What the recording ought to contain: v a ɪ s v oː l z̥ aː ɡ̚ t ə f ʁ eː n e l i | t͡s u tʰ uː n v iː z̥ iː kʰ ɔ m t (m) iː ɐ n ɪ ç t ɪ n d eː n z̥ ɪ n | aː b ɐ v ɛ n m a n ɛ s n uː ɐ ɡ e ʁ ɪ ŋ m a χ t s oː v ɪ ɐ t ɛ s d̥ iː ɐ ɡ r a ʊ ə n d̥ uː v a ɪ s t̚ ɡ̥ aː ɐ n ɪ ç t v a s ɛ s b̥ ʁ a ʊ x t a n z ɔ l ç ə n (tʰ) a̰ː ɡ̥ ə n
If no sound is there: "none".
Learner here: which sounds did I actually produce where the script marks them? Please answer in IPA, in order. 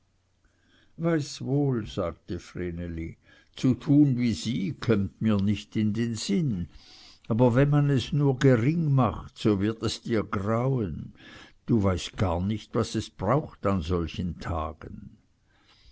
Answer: m, tʰ

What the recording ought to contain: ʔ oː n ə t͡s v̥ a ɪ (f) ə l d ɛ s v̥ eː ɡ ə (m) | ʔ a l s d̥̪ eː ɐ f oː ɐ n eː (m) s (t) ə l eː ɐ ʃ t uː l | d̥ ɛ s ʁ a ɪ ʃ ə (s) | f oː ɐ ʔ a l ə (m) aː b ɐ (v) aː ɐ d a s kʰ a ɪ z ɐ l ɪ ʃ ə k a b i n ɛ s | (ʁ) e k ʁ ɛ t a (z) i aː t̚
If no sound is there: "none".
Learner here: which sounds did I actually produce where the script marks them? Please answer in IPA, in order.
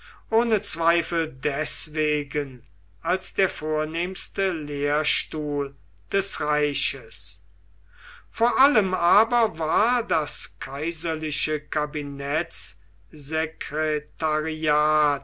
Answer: f, n, m, t, s, m, v, z, ʁ

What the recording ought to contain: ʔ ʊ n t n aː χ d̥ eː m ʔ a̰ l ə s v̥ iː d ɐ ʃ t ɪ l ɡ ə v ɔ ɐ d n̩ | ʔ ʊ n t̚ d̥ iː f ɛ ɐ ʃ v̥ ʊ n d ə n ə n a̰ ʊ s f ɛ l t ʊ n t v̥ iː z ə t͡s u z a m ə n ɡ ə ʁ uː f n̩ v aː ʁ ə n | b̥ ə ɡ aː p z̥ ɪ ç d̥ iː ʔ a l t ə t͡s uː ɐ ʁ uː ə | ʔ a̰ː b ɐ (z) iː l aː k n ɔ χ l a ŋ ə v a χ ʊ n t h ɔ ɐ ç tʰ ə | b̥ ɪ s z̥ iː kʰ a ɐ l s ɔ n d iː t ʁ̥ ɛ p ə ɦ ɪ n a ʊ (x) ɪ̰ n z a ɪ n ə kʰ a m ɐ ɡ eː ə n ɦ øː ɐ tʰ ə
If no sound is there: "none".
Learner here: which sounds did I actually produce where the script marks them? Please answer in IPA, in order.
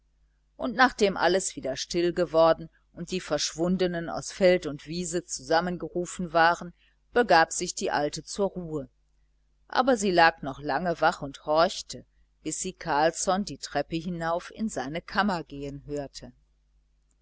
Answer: z, f

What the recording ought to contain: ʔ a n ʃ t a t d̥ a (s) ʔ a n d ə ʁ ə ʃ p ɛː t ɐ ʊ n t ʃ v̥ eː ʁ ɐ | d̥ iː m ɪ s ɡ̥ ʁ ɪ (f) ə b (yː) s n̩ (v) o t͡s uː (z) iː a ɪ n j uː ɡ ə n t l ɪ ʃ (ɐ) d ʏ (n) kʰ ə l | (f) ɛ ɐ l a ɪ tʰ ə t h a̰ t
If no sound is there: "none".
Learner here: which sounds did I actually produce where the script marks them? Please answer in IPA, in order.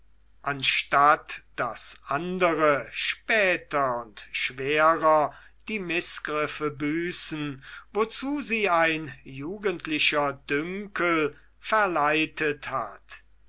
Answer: s, f, yː, v, z, ɐ, ŋ, f

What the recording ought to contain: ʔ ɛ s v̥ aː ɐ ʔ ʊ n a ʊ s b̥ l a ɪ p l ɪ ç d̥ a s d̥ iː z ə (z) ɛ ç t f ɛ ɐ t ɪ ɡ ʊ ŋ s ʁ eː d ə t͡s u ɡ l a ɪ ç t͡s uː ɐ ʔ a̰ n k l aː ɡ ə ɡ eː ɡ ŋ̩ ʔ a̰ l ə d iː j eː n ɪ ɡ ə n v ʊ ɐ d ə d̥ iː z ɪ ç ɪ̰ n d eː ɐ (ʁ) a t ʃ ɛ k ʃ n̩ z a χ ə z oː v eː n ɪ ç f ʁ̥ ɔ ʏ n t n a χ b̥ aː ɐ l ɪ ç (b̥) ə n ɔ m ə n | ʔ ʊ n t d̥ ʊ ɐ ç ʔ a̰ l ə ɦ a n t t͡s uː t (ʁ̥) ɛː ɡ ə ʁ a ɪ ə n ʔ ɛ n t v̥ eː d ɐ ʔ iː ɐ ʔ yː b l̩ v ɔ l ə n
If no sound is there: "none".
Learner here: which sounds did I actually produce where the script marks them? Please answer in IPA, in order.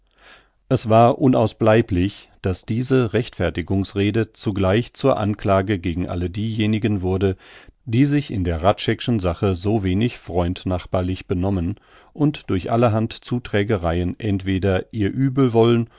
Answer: ʁ, ʁ, b̥, ʁ̥

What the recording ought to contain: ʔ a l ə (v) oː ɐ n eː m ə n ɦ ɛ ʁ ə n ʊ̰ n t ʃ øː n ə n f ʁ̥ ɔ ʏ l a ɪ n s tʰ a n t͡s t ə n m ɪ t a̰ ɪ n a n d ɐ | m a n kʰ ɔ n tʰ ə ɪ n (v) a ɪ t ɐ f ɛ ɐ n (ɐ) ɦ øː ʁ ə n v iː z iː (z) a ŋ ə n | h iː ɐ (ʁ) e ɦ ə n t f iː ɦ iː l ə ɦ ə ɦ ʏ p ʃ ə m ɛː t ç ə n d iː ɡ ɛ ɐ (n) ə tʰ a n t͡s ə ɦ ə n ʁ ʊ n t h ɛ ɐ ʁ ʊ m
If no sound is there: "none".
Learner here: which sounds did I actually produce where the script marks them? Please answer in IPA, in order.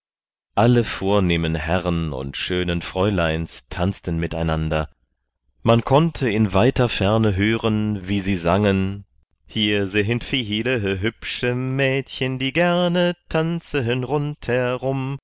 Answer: f, v, ə, z, z, n

